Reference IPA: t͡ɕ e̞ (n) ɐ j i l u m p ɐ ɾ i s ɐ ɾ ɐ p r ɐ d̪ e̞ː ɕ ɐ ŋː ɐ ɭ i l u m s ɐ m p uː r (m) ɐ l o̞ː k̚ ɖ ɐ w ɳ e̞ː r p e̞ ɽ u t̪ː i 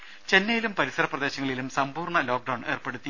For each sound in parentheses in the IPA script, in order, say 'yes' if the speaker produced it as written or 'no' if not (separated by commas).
no, no